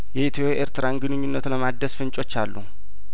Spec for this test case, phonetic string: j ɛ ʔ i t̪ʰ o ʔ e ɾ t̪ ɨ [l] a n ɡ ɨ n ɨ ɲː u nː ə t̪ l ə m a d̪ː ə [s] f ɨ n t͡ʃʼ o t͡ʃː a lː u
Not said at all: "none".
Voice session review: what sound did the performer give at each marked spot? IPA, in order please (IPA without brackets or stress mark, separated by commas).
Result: ɾ, s